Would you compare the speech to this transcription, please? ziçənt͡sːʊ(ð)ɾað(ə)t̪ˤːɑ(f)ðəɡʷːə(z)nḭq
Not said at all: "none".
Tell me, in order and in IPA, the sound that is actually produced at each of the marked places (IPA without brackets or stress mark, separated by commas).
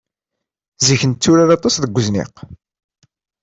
none, ɑ, s, z